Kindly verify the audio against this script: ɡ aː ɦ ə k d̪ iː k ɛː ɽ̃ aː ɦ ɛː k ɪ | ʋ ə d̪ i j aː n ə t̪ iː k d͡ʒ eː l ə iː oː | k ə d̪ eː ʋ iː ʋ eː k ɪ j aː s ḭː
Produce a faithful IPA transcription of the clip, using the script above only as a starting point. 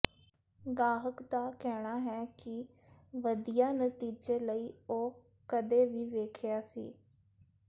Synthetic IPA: ɡ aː ɦ ə k d̪ aː k ɛː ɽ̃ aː ɦ ɛː k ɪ | ʋ ə d̪ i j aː n ə t̪ iː d͡ʒ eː l ə iː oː | k ə d̪ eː ʋ iː ʋ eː kʰ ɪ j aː s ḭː